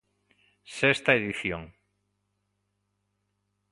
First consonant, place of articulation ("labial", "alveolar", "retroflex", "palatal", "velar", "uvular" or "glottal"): alveolar